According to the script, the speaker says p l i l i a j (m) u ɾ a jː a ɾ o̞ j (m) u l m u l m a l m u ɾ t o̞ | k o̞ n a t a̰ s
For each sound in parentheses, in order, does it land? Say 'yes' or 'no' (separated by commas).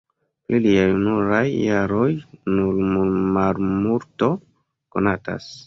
no, no